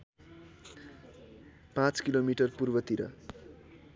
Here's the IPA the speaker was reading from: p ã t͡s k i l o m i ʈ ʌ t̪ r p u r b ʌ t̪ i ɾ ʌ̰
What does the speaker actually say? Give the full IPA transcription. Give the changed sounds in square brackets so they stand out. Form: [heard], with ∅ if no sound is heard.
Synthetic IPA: p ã t͡s k i l o m i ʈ ʌ [∅] r p u r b ʌ t̪ i ɾ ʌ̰